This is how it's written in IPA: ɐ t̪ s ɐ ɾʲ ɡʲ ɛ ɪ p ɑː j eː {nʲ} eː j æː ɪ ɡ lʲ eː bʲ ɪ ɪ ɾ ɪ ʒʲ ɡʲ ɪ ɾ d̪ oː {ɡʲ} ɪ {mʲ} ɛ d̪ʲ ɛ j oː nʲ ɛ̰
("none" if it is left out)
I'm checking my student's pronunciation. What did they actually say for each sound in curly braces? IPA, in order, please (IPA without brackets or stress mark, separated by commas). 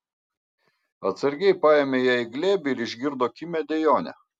mʲ, kʲ, mʲ